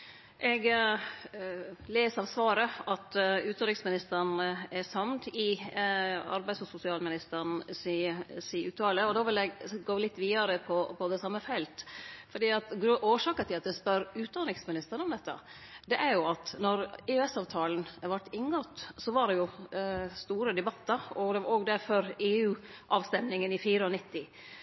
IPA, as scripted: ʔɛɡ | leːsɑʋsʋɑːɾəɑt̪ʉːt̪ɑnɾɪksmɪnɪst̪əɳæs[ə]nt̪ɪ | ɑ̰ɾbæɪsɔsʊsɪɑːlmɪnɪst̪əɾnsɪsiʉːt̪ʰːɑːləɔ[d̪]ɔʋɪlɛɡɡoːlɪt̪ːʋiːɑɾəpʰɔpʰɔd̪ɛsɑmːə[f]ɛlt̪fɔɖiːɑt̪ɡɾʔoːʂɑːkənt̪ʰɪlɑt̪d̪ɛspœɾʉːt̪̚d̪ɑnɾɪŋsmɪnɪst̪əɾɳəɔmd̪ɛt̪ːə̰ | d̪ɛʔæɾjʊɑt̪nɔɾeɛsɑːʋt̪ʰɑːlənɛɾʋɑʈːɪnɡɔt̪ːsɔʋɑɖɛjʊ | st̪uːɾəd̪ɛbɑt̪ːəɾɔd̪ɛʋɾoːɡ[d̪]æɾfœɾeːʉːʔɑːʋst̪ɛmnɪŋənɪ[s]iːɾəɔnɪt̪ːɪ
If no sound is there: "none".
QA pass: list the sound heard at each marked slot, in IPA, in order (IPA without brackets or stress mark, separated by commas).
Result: ɑ, d̪, f, d̪, f